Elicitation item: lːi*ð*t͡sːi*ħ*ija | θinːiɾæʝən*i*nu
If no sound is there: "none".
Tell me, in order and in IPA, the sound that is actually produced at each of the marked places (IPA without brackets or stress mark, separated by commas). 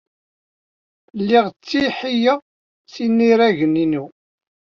ʁ, ħ, i